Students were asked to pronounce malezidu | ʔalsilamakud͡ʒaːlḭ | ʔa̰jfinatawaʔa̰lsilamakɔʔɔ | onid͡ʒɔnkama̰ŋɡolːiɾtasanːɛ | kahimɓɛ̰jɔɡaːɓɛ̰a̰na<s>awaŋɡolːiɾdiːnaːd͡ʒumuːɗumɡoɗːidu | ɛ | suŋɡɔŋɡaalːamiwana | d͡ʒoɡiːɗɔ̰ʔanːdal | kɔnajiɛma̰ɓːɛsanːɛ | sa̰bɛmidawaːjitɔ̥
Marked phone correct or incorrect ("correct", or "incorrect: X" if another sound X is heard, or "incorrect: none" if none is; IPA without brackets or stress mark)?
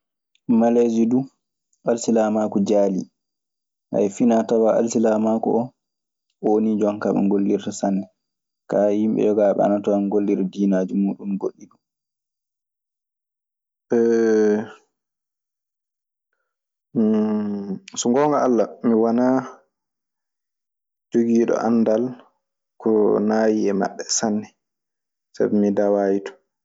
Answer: incorrect: t